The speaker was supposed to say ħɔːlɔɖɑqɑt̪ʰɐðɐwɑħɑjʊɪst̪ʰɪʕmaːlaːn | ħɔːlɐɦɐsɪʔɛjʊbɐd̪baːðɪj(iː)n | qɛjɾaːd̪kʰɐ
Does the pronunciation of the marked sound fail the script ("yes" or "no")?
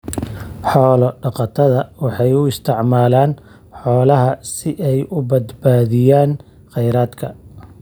yes